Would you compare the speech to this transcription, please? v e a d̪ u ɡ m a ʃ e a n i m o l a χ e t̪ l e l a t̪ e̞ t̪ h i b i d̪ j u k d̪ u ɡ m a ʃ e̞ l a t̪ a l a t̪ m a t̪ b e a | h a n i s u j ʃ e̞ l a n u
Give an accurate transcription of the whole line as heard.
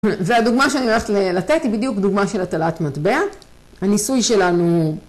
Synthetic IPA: v e a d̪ u ɡ m a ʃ e a n i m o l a χ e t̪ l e l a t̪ e̞ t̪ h i b i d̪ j u k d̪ u ɡ m a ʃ e̞ l a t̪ a l a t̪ m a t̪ b e a | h a n i s u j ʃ e̞ l a n u